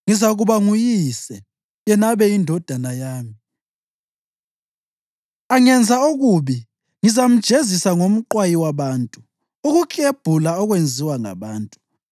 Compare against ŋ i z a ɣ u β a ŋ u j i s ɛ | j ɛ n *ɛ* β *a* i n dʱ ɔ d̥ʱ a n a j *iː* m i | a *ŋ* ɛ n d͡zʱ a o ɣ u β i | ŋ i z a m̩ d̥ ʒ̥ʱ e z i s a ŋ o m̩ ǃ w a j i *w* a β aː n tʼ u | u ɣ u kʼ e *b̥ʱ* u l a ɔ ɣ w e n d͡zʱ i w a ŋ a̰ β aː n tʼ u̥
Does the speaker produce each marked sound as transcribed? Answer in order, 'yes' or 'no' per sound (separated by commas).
no, no, no, yes, yes, yes